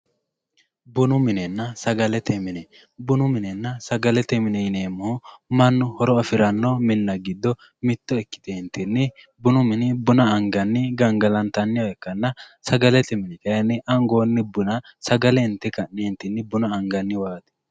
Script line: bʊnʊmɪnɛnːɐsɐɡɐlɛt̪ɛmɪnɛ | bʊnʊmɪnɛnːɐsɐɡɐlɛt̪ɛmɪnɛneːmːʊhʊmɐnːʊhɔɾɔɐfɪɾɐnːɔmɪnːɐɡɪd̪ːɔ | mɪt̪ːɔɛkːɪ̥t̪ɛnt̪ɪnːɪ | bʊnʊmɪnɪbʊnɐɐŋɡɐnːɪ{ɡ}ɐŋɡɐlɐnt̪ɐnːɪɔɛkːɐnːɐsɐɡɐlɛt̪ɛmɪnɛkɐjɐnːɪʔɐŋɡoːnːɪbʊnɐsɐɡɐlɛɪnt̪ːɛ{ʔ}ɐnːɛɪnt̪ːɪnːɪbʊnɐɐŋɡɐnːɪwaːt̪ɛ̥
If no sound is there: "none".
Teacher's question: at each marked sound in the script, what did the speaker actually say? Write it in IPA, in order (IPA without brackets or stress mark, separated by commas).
ɡ, k